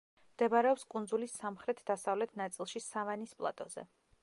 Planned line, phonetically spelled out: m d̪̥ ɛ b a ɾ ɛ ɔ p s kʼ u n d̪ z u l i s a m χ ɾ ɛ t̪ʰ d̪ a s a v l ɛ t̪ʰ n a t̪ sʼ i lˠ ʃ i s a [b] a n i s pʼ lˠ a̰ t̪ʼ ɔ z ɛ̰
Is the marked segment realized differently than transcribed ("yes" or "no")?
yes